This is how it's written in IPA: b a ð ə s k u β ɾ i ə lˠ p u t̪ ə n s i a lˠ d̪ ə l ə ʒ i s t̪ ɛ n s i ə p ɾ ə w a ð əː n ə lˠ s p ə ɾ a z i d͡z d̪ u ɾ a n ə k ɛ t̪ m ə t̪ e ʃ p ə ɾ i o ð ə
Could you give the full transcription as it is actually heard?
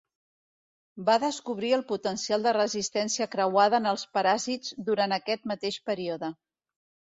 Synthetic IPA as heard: b a ð ə s k u β ɾ i ə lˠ p u t̪ ə n s i a lˠ d̪ ə r ə z i s t̪ ɛ n s i ə k ɾ ə w a ð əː n ə lˠ s p ə ɾ a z i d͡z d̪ u ɾ a n ə k ɛ t̪ m ə t̪ e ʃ p ə ɾ i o ð ə